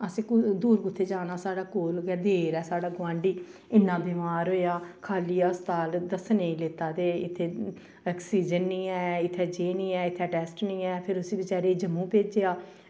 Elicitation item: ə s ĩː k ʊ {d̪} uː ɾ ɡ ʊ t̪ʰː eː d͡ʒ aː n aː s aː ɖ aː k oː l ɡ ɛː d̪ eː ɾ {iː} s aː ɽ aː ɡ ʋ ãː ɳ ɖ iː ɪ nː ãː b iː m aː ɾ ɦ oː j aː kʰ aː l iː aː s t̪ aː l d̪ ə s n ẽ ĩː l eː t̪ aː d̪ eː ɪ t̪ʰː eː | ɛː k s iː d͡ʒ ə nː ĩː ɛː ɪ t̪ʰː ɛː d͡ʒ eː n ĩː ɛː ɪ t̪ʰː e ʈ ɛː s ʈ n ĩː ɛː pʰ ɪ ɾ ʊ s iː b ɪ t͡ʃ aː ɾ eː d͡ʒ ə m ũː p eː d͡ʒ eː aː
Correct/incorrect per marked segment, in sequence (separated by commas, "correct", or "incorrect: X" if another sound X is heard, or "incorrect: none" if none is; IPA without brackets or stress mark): correct, incorrect: ɛː